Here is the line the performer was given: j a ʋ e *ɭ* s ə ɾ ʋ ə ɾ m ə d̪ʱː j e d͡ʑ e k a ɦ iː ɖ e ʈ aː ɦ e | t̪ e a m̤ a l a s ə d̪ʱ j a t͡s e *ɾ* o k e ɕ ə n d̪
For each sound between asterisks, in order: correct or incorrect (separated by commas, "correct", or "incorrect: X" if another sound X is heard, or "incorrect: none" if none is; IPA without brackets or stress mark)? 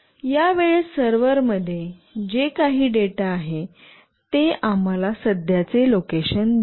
correct, incorrect: l